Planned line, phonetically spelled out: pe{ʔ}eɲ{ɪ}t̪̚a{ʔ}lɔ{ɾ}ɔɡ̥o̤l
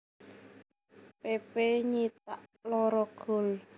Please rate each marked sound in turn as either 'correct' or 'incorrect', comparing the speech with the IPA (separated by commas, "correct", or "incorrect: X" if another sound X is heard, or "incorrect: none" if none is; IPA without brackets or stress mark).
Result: incorrect: p, incorrect: i, correct, correct